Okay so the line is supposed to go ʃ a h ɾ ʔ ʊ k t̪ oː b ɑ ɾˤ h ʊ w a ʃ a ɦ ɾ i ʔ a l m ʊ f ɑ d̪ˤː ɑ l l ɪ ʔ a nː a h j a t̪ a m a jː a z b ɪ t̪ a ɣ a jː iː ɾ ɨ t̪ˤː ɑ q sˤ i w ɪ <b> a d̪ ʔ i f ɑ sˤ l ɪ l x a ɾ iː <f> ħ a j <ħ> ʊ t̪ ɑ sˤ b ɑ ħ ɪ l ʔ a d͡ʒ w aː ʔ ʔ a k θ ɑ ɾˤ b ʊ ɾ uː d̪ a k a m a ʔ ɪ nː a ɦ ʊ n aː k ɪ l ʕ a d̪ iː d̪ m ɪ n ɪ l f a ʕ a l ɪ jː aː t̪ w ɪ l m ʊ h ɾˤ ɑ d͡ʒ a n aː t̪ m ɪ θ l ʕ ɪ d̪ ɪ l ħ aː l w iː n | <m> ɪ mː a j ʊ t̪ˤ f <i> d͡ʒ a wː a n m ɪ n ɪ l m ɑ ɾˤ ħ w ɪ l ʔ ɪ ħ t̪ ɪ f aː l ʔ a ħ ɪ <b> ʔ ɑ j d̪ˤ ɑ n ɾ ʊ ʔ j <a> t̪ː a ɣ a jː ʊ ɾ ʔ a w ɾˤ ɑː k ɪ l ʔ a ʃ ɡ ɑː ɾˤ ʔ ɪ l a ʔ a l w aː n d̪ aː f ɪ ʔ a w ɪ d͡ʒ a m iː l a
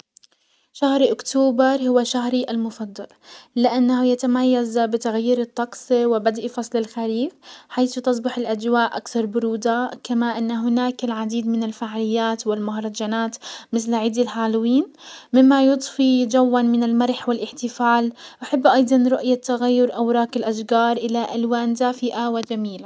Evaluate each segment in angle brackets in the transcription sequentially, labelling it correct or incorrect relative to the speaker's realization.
correct, correct, incorrect: θ, correct, correct, incorrect: bː, correct

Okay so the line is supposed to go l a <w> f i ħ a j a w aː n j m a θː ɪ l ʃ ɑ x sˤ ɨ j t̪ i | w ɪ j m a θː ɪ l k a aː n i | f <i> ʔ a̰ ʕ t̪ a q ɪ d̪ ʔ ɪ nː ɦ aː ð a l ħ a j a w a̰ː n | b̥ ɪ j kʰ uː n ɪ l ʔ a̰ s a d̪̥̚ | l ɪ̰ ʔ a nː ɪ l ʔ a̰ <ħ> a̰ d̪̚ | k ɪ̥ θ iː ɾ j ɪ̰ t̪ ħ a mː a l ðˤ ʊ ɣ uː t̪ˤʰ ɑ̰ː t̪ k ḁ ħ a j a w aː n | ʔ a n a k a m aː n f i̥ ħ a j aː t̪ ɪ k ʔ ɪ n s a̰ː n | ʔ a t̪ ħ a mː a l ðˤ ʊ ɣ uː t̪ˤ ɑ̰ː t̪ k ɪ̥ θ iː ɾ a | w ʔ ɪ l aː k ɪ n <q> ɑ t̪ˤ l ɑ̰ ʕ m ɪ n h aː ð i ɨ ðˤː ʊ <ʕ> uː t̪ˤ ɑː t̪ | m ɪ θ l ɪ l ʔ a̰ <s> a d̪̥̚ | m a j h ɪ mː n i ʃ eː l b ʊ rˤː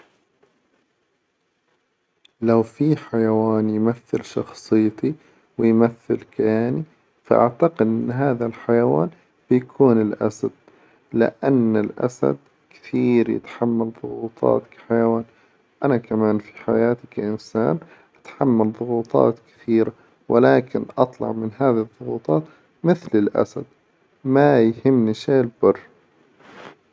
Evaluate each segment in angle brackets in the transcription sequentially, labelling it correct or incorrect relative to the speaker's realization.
correct, incorrect: a, incorrect: s, incorrect: ʔ, incorrect: ɣ, correct

